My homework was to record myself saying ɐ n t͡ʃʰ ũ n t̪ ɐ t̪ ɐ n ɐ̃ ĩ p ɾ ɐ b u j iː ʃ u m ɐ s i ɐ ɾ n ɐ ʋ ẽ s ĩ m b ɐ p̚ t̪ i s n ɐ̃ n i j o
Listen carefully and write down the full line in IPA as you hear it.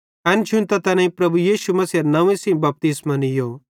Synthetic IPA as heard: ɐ n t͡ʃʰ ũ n t̪ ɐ t̪ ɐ n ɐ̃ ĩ p ɾ ɐ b u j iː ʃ u m ɐ s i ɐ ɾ n ɐ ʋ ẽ s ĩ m b ɐ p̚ t̪ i s m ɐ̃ n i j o